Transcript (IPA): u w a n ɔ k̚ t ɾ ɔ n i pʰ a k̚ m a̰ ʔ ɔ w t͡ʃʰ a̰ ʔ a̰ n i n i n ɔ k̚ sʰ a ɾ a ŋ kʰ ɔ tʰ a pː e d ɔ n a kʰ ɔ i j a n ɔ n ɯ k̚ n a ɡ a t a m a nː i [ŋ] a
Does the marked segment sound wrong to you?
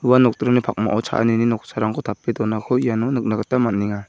no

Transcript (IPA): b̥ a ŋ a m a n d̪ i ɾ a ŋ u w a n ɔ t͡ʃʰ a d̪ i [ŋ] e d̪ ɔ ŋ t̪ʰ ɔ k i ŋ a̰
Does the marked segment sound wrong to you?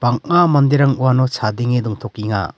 no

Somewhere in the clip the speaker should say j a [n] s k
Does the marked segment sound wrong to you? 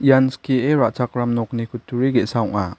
no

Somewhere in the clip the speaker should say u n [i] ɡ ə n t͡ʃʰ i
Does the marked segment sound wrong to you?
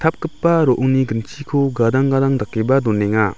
no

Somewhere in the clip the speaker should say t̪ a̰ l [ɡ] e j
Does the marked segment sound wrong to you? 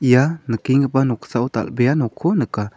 yes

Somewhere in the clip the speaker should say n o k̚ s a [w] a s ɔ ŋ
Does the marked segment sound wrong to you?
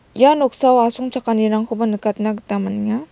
no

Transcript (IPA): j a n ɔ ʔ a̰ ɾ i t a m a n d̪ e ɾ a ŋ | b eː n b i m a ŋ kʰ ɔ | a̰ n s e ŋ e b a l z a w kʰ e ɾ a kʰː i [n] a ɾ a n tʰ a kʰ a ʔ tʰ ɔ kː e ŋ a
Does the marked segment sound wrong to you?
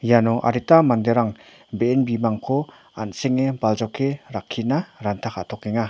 no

